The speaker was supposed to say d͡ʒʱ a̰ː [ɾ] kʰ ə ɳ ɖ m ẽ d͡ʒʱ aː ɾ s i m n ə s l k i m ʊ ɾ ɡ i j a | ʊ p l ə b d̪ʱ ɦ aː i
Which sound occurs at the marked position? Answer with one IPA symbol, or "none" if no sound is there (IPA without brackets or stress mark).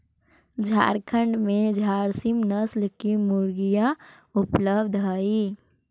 ɾ